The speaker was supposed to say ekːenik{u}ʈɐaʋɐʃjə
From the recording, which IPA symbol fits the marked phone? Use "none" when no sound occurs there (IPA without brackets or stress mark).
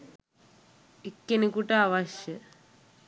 u